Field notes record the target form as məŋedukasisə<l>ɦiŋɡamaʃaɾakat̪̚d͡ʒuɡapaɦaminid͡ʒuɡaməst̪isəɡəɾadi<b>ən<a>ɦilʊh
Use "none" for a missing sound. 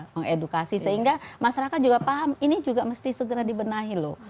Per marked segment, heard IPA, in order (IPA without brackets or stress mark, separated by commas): none, b, a